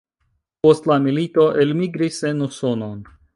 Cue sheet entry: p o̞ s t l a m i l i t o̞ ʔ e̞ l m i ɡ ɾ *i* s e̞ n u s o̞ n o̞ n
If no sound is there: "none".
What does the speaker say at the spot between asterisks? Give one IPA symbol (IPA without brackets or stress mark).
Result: i